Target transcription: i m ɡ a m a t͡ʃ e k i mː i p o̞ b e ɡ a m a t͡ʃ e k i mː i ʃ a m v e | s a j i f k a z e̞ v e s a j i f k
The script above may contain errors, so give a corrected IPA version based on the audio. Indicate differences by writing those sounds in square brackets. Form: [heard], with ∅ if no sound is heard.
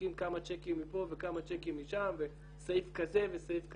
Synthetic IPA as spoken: i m [k] a m a t͡ʃ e k i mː i p o̞ [v] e [k] a m a t͡ʃ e k i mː i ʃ a m v e | s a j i f k a z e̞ v e s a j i f k